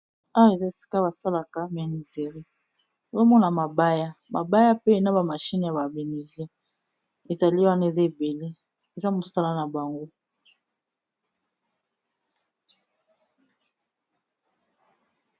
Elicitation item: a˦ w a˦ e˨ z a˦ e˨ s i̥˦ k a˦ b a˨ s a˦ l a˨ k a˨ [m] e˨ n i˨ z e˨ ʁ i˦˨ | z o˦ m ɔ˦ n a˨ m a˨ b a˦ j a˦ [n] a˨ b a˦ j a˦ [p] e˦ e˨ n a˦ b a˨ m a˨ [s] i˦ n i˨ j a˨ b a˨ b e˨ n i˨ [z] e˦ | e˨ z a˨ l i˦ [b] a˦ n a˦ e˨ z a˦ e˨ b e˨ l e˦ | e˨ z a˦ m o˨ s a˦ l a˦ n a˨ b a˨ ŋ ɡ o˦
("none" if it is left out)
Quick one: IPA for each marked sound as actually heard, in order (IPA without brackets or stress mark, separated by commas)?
m, m, p, ʃ, z, w